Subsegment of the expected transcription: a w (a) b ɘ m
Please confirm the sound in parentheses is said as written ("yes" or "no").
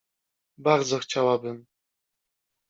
yes